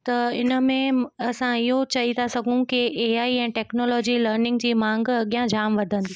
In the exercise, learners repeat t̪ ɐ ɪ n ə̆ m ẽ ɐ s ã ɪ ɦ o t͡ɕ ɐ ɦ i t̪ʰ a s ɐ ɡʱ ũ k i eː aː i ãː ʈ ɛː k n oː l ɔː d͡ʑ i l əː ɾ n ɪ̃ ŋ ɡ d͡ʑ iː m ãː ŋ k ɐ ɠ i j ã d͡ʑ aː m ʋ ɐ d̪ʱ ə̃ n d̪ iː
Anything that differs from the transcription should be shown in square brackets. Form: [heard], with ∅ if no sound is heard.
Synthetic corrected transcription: t̪ ɐ ɪ n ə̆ m ẽ ɐ s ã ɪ ɦ o t͡ɕ ɐ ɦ i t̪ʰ a s ɐ ɡʱ ũ k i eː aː i [ɛ̃ː] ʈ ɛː k n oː l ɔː d͡ʑ i l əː ɾ n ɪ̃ ŋ ɡ d͡ʑ iː m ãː ŋ [ɡ] ɐ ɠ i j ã d͡ʑ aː m ʋ ɐ d̪ʱ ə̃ n d̪ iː

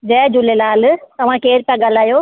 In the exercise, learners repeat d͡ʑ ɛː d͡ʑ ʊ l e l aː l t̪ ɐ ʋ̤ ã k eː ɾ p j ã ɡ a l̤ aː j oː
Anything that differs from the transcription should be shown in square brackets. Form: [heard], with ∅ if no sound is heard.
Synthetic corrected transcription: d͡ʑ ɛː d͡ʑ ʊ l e l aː l t̪ ɐ ʋ̤ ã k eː ɾ p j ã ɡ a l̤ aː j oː

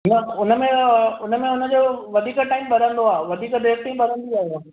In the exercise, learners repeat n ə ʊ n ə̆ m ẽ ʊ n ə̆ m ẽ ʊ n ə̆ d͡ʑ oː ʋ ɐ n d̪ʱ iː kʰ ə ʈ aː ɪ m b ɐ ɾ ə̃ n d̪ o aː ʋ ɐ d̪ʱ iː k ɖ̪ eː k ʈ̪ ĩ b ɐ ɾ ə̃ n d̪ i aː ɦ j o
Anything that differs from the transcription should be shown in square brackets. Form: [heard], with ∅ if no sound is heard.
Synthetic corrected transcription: n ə ʊ n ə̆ m ẽ ʊ n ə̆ m ẽ ʊ n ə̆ d͡ʑ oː ʋ ɐ [∅] d̪ʱ iː [k] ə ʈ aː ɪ m b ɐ ɾ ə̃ n d̪ o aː ʋ ɐ d̪ʱ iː k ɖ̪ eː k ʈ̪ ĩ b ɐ ɾ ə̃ n d̪ i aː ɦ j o

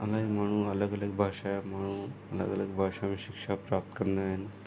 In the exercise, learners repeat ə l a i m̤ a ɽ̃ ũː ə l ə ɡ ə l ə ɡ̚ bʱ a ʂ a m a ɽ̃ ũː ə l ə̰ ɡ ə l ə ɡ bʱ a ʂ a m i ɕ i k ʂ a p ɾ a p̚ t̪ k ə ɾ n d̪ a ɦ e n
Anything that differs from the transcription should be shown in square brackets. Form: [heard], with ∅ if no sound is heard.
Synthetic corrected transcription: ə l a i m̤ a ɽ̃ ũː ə l ə ɡ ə l ə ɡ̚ bʱ a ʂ a m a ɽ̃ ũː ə l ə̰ ɡ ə l ə ɡ bʱ a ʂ a m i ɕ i k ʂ a p ɾ a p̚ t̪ k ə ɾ n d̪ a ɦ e n

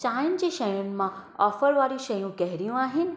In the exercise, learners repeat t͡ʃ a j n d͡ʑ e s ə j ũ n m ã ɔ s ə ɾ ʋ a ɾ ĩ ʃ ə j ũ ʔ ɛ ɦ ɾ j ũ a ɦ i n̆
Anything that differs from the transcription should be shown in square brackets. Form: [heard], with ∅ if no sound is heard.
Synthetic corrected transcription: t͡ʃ a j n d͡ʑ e [ʃ] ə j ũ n m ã ɔ [f] ə ɾ ʋ a ɾ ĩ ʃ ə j ũ [k] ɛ ɦ ɾ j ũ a ɦ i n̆

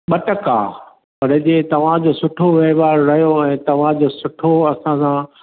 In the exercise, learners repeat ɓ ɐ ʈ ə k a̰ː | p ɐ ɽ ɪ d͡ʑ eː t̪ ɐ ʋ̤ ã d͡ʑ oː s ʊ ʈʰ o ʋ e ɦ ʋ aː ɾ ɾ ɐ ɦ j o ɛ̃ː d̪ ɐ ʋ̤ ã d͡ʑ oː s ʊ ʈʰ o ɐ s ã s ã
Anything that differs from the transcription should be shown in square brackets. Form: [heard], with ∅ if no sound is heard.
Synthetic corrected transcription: ɓ ɐ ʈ ə k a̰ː | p ɐ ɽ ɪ d͡ʑ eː t̪ ɐ ʋ̤ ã d͡ʑ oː s ʊ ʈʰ o ʋ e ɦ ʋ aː ɾ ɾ ɐ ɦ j o ɛ̃ː [t̪] ɐ ʋ̤ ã d͡ʑ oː s ʊ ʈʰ o ɐ s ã s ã

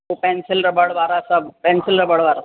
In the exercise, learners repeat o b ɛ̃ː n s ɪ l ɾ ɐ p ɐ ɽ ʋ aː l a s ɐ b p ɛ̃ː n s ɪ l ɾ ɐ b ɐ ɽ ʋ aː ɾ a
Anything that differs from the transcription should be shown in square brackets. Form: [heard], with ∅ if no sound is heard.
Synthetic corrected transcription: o [p] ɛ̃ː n s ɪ l ɾ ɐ [b] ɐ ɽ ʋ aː [ɾ] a s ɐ b p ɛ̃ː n s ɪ l ɾ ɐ b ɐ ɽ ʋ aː ɾ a

